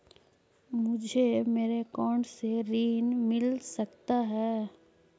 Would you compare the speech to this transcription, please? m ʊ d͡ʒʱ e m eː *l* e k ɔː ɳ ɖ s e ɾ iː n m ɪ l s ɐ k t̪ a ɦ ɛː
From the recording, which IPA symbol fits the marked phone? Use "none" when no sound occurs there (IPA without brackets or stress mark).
ɾ